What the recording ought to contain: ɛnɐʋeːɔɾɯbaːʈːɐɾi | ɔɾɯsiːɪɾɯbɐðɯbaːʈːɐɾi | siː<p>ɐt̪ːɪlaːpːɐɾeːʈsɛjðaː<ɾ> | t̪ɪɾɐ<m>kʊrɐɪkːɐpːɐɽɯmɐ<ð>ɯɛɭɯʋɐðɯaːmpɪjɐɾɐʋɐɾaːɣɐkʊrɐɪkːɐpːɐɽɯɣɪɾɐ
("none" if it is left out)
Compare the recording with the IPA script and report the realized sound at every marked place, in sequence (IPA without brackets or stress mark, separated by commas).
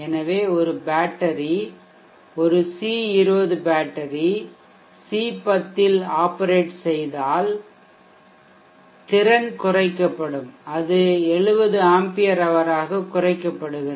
p, l, n, ð